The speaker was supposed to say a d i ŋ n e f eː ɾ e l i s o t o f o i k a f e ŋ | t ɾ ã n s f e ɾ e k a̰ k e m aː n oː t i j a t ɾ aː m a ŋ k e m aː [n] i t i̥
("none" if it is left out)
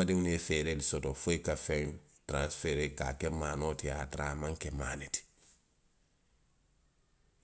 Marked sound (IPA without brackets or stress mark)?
n